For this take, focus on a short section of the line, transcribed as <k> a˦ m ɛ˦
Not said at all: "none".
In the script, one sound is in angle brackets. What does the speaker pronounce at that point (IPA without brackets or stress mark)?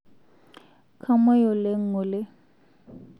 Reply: kʰ